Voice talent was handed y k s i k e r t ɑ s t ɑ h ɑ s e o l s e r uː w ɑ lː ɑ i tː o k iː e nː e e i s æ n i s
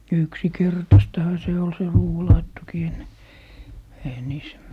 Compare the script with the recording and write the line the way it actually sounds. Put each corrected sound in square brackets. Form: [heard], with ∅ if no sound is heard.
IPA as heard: y k s i k e r t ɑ s t ɑ h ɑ s e o l s e r uː w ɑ [l] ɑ i tː o k iː e nː e e i [h] æ n [iː] s